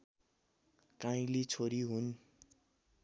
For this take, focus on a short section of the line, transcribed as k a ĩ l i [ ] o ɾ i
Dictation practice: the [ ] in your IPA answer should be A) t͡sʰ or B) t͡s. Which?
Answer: A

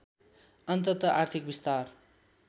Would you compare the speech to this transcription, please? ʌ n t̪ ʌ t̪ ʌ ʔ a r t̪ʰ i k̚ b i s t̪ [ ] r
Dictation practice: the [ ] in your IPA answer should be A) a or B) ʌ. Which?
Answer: A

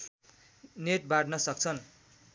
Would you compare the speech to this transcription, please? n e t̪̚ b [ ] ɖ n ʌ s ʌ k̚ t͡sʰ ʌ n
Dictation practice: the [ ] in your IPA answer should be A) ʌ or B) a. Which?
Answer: B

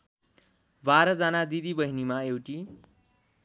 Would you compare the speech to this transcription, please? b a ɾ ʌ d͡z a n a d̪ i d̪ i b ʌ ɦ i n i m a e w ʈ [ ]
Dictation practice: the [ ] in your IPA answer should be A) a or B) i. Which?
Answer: B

